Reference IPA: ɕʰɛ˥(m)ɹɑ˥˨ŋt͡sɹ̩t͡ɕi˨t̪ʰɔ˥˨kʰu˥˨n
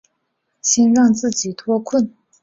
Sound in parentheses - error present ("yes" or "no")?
yes